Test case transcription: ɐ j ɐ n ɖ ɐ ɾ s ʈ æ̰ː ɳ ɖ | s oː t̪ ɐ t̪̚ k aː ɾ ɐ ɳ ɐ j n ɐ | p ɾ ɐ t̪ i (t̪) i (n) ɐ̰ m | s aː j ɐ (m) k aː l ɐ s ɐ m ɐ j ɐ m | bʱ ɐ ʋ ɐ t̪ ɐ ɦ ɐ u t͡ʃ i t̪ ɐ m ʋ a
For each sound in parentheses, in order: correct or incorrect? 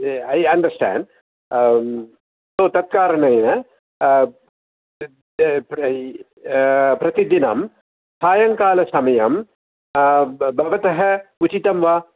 incorrect: d̪, correct, incorrect: ŋ

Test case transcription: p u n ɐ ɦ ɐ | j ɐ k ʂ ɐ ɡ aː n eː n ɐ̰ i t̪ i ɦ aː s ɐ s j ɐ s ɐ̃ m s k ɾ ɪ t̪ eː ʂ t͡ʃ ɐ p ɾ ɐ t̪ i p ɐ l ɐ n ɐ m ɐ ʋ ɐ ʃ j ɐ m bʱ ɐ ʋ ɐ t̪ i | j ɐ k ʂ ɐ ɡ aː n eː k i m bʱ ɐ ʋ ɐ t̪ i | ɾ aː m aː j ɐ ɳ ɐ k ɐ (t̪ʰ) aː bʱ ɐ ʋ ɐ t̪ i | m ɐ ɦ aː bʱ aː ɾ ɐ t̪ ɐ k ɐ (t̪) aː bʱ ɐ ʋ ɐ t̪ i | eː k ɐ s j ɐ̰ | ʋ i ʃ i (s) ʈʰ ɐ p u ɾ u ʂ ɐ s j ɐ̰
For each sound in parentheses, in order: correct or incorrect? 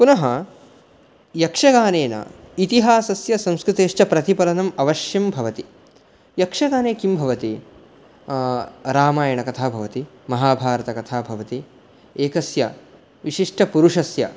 correct, incorrect: t̪ʰ, incorrect: ʂ

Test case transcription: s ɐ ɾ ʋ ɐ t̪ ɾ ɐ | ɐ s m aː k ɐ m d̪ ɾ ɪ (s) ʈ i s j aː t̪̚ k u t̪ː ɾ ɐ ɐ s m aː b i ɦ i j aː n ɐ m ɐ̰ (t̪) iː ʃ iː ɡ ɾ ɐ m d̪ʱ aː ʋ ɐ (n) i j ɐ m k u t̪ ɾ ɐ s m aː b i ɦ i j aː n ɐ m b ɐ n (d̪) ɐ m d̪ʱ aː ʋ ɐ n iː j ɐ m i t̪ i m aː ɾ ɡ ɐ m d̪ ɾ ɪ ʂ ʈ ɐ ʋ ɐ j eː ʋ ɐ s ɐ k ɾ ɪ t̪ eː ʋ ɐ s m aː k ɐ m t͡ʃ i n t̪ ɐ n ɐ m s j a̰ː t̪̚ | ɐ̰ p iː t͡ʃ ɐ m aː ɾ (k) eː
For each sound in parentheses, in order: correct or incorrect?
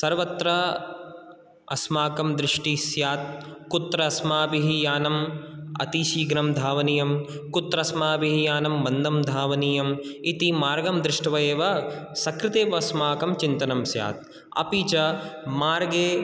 incorrect: ʂ, correct, correct, correct, incorrect: ɡ

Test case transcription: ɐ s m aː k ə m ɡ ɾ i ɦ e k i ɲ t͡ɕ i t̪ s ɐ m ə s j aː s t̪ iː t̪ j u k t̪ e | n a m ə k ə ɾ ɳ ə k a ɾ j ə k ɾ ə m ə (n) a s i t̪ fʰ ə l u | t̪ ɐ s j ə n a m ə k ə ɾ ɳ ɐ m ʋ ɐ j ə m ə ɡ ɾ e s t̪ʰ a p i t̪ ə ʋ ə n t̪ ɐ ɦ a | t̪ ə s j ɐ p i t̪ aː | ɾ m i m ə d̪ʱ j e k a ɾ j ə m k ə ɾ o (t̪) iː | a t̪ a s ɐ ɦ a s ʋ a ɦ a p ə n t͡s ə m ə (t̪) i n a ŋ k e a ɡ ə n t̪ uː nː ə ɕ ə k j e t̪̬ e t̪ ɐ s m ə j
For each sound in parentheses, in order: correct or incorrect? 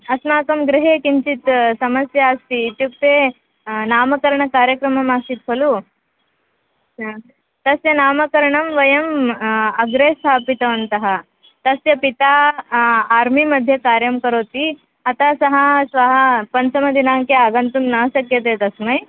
incorrect: m, correct, incorrect: d̪

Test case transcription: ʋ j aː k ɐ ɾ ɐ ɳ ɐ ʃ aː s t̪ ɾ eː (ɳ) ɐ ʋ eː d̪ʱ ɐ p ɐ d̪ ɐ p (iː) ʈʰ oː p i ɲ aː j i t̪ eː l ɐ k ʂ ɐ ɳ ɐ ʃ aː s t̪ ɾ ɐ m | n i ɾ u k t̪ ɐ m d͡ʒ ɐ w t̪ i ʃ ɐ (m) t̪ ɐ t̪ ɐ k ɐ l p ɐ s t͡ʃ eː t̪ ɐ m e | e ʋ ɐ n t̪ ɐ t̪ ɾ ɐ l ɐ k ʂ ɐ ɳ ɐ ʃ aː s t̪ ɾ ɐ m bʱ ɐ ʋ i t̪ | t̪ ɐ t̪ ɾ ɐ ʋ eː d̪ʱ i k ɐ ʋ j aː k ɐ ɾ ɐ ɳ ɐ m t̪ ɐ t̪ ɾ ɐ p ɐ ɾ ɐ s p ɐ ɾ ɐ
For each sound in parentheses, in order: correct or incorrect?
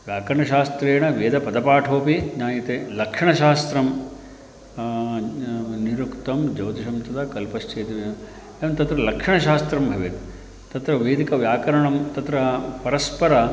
correct, incorrect: aː, correct

